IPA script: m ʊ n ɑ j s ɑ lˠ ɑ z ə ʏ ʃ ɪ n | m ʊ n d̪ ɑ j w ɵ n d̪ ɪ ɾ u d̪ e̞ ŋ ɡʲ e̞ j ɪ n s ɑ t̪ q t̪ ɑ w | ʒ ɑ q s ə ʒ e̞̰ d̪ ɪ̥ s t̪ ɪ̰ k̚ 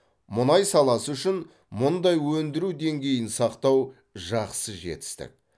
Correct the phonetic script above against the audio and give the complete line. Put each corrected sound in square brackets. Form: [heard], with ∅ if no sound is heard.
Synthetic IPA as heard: m ʊ n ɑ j s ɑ lˠ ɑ [s] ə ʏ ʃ ɪ n | m ʊ n d̪ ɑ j w ɵ n d̪ ɪ ɾ u d̪ e̞ ŋ ɡʲ e̞ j ɪ n s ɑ [∅] q t̪ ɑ w | ʒ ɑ q s ə ʒ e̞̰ [t̪] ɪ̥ s t̪ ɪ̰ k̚